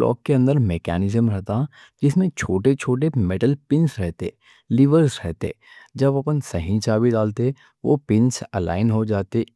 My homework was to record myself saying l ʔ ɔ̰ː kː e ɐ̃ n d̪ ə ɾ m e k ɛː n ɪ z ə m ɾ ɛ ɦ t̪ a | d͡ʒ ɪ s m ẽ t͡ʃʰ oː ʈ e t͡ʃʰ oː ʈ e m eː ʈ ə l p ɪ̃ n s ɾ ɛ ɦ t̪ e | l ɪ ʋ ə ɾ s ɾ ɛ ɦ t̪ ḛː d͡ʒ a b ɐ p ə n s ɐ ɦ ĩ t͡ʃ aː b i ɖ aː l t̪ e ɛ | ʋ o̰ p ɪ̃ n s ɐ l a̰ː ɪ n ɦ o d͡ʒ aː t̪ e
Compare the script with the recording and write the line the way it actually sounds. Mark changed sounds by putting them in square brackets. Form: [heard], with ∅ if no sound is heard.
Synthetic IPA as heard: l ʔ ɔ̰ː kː e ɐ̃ n d̪ ə ɾ m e k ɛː n ɪ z ə m ɾ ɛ ɦ t̪ a | d͡ʒ ɪ s m ẽ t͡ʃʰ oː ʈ e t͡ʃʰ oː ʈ e m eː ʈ ə l p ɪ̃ n s ɾ ɛ ɦ t̪ e | l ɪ ʋ ə ɾ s ɾ ɛ ɦ t̪ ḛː d͡ʒ [ɐ] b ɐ p ə n s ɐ ɦ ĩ t͡ʃ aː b i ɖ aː l t̪ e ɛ | ʋ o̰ p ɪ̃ n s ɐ l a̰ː ɪ n ɦ o d͡ʒ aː t̪ e